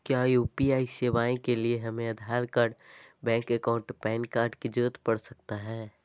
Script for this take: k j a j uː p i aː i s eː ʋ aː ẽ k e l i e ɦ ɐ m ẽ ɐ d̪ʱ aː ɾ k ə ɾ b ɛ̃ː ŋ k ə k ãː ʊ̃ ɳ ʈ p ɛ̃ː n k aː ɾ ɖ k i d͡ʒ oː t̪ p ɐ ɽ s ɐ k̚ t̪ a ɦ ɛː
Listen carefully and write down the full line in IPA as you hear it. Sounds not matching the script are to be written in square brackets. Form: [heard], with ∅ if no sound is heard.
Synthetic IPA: k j a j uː p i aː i s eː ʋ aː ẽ k e l i e ɦ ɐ m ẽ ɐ d̪ʱ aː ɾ k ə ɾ b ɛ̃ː ŋ k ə k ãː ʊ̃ ɳ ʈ p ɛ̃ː n k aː ɾ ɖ k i d͡ʒ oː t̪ p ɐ ɽ s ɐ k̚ t̪ a ɦ ɛː